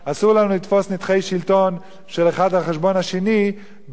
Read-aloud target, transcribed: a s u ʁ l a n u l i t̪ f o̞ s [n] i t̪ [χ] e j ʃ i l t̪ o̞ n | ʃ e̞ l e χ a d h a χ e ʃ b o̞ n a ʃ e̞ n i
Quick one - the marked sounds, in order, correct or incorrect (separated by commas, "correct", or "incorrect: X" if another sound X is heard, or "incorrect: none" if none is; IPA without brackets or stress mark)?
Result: correct, correct